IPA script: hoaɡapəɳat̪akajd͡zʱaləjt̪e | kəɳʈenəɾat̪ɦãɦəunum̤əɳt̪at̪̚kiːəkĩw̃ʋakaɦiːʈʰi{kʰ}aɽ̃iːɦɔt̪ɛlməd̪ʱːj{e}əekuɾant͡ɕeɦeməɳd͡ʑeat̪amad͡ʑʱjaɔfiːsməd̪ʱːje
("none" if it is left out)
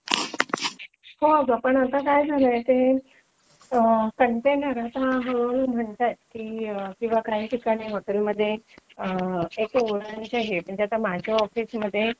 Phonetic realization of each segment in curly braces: k, e

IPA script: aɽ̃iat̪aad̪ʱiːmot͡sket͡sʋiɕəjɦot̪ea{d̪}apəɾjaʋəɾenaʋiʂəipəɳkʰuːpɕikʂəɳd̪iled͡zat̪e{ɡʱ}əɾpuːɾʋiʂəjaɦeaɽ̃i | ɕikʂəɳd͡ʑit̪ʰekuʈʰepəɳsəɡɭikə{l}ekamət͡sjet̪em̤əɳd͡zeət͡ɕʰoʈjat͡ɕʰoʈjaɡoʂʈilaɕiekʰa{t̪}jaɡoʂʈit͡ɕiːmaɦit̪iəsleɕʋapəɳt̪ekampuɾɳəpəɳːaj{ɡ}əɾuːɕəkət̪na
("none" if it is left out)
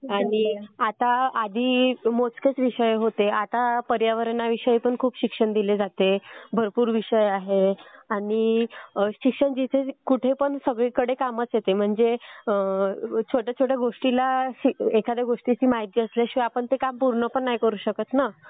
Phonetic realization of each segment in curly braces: t̪, bʱ, ɽ, d̪, k

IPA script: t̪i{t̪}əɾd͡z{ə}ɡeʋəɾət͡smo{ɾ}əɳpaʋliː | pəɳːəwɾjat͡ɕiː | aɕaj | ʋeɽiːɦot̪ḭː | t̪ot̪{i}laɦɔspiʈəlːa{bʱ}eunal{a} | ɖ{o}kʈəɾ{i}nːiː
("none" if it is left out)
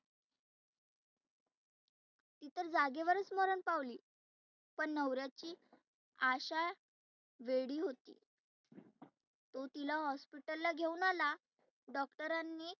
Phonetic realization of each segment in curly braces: t̪, a, ɾ, i, ɡʱ, a, ɔ, a

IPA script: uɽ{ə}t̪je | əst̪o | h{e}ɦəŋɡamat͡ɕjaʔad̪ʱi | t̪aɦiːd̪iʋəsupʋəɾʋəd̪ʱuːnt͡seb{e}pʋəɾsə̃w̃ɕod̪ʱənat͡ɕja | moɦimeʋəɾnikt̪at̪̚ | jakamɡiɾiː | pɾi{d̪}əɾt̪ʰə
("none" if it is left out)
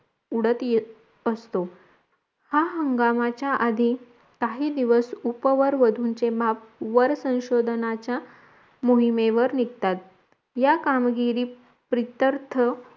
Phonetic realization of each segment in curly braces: ə, a, a, t̪

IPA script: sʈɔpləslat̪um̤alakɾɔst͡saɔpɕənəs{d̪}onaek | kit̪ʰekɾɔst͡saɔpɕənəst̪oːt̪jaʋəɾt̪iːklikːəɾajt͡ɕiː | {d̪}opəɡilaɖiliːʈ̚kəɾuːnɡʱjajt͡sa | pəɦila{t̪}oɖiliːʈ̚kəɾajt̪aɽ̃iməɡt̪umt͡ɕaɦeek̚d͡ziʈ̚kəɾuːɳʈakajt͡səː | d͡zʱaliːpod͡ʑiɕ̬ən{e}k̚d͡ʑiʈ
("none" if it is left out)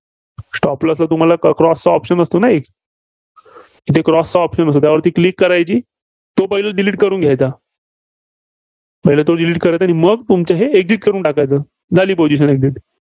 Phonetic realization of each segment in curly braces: t̪, t̪, t̪, e

